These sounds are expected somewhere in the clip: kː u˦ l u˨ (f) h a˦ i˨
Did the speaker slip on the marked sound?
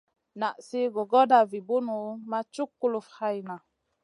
no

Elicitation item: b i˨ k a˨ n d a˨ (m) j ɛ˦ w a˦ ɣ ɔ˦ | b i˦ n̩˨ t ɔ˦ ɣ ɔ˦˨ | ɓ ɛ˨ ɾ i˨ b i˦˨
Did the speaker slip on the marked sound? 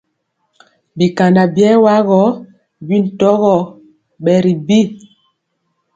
yes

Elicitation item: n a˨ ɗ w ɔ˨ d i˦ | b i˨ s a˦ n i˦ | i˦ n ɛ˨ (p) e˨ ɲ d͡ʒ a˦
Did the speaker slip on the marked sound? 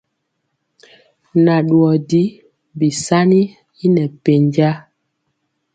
no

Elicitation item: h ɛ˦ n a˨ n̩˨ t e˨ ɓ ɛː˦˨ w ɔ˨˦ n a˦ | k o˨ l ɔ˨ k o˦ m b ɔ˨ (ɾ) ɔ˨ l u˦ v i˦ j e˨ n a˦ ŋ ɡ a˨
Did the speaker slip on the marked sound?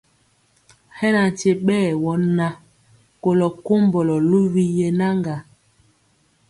yes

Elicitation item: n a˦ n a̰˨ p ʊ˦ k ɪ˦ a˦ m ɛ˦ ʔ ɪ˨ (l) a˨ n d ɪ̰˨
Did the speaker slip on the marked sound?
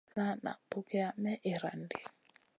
yes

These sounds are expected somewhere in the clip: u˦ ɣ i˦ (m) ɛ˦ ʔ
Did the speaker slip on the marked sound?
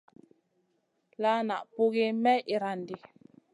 no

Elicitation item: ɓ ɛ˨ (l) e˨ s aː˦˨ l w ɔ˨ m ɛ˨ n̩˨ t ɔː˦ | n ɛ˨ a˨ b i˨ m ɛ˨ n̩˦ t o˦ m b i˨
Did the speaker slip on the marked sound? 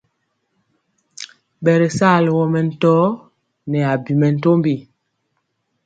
yes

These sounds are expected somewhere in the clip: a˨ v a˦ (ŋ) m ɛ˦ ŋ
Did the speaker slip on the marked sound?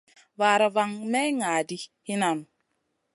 no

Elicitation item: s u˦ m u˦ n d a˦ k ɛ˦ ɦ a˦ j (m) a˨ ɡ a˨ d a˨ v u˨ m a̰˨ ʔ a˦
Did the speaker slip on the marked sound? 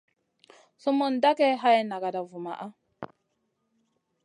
yes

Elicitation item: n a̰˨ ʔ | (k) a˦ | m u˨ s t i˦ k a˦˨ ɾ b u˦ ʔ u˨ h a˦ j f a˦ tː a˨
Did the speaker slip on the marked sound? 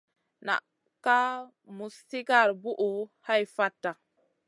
no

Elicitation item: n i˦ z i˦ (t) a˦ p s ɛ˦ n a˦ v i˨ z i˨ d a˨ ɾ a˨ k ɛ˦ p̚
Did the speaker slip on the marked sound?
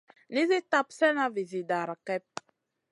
no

